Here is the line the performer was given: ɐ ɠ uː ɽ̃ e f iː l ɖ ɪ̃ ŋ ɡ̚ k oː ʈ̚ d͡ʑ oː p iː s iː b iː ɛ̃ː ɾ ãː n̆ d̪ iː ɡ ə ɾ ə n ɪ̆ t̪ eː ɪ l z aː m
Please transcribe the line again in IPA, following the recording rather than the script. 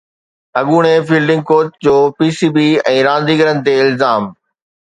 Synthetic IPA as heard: ɐ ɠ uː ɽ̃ e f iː l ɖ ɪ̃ ŋ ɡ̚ k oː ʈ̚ d͡ʑ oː p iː s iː b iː ɛ̃ː ɾ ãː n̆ d̪ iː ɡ ə ɾ ə n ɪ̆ t̪ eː ɪ l z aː m